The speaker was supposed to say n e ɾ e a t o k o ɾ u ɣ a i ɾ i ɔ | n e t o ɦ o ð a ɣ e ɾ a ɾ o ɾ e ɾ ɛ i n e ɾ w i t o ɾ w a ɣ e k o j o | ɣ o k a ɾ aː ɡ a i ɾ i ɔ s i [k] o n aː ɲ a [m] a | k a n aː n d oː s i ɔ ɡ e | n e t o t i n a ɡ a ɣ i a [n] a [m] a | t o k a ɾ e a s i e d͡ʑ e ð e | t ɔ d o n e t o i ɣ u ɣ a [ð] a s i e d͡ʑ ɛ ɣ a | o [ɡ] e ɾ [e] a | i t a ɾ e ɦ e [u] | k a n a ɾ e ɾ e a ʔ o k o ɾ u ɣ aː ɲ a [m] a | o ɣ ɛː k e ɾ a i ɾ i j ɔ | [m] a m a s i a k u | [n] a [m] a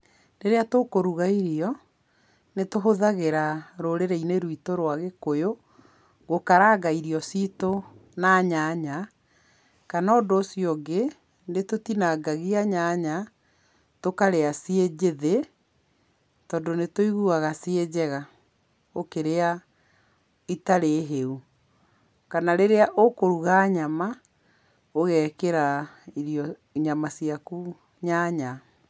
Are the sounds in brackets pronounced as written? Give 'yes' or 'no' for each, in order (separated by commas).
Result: no, no, no, no, no, no, yes, yes, yes, no, no, no